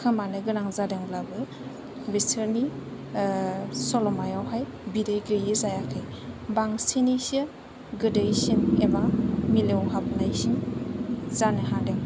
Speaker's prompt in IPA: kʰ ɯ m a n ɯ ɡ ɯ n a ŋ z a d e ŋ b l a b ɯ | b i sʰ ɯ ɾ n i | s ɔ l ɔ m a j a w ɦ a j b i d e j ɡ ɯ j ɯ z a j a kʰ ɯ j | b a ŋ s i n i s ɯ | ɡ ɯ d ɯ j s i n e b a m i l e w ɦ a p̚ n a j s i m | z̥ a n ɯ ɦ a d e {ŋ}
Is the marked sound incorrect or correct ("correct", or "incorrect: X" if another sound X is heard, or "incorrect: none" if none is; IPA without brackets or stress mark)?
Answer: correct